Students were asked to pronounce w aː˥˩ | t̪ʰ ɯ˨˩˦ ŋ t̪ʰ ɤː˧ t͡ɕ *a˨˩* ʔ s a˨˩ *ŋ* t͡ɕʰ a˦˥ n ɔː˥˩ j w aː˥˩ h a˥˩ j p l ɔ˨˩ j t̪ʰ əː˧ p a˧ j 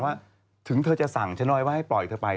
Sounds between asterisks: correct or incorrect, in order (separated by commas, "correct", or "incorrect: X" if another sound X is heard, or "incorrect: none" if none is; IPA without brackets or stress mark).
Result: correct, correct